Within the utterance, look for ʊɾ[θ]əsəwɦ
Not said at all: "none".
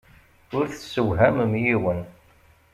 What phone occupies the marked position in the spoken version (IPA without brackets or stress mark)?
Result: θ